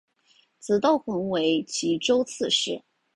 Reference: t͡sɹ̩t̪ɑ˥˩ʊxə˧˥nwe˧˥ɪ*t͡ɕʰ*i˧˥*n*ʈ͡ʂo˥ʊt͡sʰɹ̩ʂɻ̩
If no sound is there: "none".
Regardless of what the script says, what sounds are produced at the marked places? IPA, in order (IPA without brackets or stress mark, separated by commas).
t͡ɕʰ, none